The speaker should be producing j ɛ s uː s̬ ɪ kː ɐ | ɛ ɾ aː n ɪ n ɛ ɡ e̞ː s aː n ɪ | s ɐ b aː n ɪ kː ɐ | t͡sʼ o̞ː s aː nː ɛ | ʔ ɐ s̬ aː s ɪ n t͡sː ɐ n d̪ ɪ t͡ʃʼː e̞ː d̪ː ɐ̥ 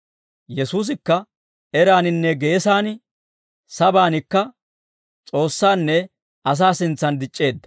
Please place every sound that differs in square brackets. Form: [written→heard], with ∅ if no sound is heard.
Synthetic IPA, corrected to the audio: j ɛ s uː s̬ ɪ kː ɐ | ɛ ɾ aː n ɪ [n→nː] ɛ ɡ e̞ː s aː n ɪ | s ɐ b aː n ɪ kː ɐ | t͡sʼ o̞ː [s→sː] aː nː ɛ | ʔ ɐ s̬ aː s ɪ n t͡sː ɐ n d̪ ɪ t͡ʃʼː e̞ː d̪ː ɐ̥